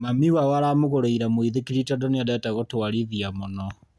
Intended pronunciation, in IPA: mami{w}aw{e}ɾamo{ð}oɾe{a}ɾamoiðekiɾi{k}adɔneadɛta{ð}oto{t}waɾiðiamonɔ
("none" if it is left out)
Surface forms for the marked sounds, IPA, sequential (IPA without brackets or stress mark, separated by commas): w, a, ɣ, i, t, ɣ, none